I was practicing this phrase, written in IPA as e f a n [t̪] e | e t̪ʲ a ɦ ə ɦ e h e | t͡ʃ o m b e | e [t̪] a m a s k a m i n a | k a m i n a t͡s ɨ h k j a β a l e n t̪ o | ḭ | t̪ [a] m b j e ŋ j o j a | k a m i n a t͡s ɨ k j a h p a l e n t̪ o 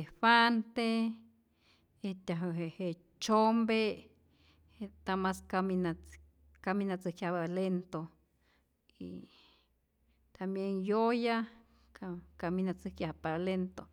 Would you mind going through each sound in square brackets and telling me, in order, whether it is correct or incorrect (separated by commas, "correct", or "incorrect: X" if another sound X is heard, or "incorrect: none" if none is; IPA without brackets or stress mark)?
correct, correct, correct